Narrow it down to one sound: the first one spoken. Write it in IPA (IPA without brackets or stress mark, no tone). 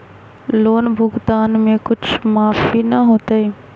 l